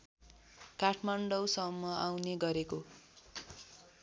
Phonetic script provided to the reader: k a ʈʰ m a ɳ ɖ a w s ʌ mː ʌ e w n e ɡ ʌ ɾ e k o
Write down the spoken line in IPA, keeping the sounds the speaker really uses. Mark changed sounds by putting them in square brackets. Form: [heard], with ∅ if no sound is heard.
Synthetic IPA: k a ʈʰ m a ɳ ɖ [ʌ] w s ʌ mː ʌ [a] w n e ɡ ʌ ɾ e k o